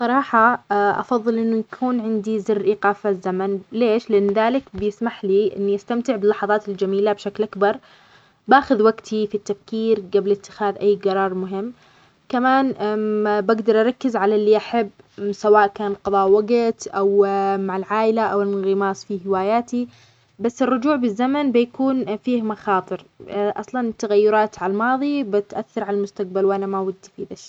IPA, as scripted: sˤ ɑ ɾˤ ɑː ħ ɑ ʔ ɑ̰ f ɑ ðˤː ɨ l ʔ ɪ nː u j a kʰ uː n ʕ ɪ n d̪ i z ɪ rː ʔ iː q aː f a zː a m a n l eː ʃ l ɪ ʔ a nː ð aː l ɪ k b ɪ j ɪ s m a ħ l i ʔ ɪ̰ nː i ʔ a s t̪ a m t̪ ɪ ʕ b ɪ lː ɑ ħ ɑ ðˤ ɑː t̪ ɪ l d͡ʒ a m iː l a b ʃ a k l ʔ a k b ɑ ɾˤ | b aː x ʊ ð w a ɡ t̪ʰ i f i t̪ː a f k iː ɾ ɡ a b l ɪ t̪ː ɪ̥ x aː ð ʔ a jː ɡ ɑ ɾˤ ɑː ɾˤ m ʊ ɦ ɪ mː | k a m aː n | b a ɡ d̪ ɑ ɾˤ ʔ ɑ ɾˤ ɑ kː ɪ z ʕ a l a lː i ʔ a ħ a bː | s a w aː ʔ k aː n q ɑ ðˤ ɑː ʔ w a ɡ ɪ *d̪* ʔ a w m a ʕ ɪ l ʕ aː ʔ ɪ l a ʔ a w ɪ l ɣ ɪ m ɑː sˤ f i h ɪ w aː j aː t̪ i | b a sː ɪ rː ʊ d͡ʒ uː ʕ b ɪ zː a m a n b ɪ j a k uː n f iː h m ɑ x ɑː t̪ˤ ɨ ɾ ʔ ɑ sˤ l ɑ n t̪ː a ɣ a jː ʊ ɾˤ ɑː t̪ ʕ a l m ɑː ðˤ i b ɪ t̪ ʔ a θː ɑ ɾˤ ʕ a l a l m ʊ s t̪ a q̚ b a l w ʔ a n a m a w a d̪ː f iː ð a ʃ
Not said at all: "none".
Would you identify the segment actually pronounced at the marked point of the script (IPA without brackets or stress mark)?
t̪